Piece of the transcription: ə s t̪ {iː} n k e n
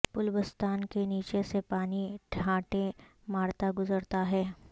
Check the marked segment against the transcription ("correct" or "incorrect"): incorrect